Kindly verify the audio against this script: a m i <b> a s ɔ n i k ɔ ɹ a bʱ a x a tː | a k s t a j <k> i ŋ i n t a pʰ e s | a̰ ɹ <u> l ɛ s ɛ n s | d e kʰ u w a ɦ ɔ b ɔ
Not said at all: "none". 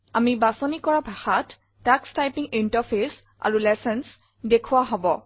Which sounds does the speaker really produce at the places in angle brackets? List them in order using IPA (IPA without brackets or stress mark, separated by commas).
b, p, u